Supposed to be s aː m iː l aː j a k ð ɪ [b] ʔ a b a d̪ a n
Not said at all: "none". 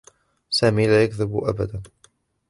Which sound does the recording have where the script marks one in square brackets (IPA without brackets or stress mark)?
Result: b